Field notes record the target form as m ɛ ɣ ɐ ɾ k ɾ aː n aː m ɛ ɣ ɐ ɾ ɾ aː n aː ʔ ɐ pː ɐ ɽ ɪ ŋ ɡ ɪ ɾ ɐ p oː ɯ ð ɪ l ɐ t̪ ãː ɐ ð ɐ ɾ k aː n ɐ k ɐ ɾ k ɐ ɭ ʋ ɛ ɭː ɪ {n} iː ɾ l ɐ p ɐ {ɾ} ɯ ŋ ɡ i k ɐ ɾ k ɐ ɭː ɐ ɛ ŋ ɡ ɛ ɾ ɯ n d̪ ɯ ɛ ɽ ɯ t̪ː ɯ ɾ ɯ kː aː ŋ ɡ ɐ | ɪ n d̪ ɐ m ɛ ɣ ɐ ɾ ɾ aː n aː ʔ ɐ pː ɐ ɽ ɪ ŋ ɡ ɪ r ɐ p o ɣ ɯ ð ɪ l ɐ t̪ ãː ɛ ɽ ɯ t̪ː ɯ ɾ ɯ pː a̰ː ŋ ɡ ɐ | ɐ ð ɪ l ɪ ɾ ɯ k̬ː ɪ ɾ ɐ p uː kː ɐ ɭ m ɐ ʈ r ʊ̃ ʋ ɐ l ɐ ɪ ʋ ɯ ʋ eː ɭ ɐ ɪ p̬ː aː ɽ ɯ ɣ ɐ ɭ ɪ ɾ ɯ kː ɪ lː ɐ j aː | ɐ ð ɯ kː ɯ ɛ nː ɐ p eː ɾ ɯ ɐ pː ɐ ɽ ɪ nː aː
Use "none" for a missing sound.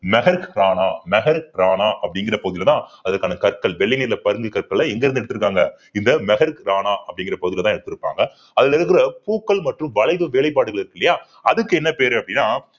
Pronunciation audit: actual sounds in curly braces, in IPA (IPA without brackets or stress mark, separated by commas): n, ɾ